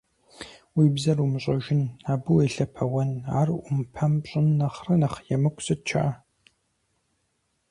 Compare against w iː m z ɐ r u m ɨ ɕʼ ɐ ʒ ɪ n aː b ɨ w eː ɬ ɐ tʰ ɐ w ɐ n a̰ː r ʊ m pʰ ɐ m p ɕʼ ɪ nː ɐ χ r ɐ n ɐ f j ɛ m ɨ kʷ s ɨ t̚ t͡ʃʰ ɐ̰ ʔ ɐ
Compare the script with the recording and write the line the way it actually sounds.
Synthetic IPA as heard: w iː b z ɐ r u m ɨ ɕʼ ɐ ʒ ɪ n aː b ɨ w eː ɬ ɐ pʰ ɐ w ɐ n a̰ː r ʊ m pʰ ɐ m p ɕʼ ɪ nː ɐ χ r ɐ n ɐ χ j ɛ m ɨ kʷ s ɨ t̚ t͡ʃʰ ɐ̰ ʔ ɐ